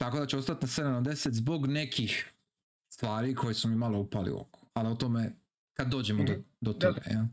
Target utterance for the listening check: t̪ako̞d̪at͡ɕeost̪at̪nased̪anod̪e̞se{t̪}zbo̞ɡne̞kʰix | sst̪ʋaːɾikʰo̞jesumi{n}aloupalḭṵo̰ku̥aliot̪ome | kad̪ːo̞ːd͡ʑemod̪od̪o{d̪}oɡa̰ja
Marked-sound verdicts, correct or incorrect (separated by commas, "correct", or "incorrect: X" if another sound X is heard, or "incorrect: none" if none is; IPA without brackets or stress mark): correct, incorrect: m, incorrect: t̪